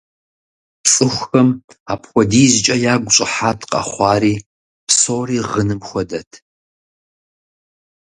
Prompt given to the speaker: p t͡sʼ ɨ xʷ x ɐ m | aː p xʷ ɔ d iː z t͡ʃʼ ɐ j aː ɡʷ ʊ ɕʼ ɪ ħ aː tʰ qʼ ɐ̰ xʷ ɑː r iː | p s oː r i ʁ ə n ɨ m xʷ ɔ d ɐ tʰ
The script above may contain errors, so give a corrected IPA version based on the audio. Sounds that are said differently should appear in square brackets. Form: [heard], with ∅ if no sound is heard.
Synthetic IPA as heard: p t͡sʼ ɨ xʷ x ɐ m | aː p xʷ ɔ d iː z t͡ʃʼ ɐ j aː ɡʷ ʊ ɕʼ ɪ ħ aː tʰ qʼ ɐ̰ [χʷ] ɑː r iː | p s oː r [iː] ʁ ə n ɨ m xʷ ɔ d ɐ tʰ